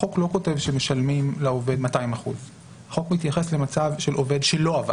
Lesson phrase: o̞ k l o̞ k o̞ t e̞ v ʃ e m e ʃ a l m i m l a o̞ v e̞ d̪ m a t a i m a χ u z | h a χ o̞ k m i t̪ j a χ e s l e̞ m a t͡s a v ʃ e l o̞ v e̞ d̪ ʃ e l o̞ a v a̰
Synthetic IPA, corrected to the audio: o̞ k l o̞ k o̞ t e̞ v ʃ e m e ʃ a l m i m l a o̞ v e̞ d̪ m a t a i m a χ u z | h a χ o̞ k m i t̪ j a χ e s l e̞ m a t͡s a v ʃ e l o̞ v e̞ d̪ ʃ e l o̞ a v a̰